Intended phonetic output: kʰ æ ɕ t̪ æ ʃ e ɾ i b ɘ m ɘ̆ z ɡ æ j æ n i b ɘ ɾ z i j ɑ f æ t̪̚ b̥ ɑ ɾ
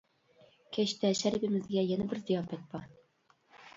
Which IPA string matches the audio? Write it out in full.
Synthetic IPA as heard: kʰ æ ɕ t̪ æ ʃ æ ɾ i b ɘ m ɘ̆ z ɡ æ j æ n æ b ɘ ɾ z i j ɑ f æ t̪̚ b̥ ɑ ɾ